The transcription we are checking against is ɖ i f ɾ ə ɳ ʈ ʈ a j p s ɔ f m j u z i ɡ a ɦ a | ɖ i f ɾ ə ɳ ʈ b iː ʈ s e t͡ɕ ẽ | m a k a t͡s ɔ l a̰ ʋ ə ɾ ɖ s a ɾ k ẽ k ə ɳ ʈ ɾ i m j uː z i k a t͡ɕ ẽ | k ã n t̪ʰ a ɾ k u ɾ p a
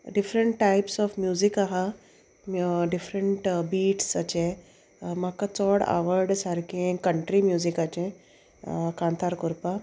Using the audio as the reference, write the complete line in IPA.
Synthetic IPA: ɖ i f ɾ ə ɳ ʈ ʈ a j p s ɔ f m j u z i k a ɦ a | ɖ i f ɾ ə ɳ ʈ b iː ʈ s a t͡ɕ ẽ | m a k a t͡s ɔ ɽ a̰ ʋ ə ɾ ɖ s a ɾ k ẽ k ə ɳ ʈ ɾ i m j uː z i k a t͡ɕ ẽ | k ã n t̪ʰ a ɾ k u ɾ p a